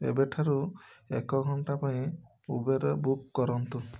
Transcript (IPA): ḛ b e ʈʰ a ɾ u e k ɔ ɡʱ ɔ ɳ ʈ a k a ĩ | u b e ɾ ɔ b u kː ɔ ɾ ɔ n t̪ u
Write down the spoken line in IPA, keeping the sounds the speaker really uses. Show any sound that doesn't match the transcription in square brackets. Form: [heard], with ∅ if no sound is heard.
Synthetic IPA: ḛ b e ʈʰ a ɾ u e k ɔ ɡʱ ɔ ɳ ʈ a [p] a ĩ | u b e ɾ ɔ b u kː ɔ ɾ ɔ n t̪ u